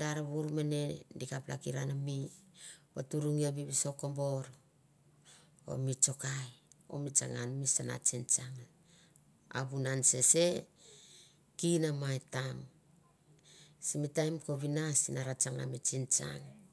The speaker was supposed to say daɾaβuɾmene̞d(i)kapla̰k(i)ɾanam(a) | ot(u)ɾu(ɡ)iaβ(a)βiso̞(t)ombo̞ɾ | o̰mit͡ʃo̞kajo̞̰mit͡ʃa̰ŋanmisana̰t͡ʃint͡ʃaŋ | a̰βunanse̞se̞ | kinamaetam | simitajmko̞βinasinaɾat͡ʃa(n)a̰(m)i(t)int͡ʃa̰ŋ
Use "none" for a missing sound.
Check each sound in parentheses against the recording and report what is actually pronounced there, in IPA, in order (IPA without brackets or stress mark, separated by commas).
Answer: i, i, i, u, ŋ, i, k, ŋ, m, t͡ʃ